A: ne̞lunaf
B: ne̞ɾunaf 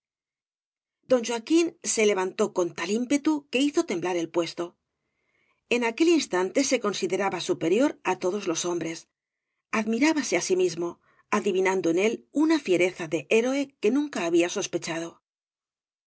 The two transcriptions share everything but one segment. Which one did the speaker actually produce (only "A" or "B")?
A